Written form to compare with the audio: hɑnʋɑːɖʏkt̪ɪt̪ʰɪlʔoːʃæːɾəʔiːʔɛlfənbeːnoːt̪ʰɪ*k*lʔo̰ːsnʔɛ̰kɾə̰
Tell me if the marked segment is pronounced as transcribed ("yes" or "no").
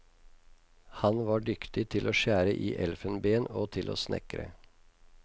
no